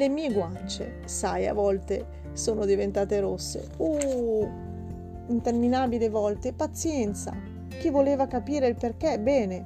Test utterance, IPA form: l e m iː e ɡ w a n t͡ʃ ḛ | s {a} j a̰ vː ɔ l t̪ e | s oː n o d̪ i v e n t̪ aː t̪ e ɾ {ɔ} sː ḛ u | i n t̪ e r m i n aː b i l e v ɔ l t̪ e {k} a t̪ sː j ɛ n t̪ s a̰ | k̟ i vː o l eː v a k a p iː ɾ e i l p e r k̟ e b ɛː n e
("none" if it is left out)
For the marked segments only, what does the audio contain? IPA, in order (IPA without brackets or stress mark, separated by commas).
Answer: a, o, p